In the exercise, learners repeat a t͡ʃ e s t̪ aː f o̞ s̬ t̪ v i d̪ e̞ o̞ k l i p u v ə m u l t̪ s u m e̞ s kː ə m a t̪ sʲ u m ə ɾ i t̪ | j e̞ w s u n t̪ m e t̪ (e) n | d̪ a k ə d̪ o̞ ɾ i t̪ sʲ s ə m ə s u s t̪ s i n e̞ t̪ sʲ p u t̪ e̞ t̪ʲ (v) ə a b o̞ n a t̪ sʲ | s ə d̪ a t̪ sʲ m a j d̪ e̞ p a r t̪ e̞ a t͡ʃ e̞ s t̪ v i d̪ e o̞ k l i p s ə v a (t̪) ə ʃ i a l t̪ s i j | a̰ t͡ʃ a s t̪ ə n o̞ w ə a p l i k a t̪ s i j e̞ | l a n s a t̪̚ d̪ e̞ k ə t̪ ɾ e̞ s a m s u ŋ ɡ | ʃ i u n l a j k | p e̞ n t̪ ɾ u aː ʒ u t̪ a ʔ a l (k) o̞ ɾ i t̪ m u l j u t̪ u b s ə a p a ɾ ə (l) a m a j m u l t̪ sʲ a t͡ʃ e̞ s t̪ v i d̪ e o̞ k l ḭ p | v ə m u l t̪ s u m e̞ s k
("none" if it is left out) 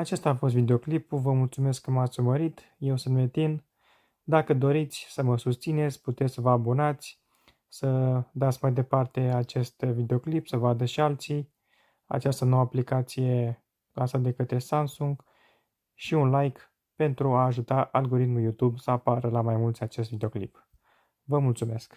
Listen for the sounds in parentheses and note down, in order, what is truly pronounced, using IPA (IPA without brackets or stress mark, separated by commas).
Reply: i, v, d̪, ɡ, l